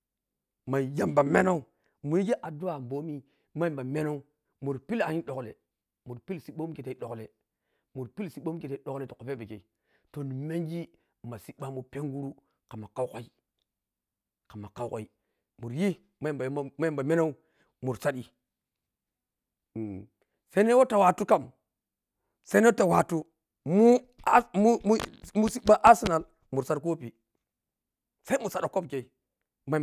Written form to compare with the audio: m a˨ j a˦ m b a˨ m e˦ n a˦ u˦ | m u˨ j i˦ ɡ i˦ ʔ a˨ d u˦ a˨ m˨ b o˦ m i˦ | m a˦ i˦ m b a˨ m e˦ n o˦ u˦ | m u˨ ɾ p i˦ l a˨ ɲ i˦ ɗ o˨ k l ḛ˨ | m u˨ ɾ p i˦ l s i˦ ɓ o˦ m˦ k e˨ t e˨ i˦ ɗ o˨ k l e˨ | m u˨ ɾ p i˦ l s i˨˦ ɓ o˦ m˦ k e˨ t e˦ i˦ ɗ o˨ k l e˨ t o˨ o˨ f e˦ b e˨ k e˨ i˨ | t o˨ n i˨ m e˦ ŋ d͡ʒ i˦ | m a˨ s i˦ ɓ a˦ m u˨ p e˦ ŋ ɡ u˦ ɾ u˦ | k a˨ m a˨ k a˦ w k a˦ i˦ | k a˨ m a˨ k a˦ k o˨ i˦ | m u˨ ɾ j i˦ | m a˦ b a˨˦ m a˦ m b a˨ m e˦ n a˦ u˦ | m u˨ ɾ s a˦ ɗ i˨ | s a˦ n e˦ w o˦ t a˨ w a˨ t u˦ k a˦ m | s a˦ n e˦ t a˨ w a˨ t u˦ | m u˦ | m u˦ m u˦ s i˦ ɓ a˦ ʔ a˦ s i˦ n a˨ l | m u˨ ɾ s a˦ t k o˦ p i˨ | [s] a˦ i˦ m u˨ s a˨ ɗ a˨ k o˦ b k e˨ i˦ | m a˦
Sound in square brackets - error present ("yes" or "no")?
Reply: no